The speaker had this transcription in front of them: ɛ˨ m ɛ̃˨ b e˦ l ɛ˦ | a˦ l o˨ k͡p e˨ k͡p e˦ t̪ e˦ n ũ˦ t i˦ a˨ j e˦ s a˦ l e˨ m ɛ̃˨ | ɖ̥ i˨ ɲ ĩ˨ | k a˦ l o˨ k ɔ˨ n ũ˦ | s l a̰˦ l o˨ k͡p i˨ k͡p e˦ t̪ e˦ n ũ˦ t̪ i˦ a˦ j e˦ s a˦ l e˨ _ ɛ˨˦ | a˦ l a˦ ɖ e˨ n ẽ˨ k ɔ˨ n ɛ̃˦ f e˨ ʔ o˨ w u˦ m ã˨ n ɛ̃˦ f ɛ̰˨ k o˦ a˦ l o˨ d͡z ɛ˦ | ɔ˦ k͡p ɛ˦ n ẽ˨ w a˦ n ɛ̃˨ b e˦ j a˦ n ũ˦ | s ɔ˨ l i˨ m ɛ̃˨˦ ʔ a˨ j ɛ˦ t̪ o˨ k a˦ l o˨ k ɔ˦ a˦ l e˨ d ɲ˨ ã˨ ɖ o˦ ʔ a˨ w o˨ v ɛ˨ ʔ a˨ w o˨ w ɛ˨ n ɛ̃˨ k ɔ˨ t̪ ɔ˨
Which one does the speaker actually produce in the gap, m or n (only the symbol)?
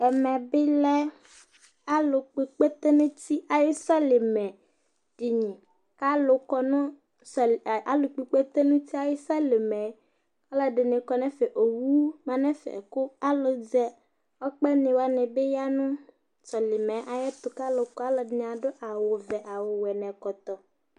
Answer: m